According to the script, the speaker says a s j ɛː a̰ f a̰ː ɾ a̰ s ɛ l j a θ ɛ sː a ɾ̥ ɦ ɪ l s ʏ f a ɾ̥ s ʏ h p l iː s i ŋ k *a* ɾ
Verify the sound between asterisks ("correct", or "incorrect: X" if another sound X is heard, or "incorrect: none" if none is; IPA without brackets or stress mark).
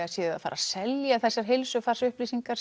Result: correct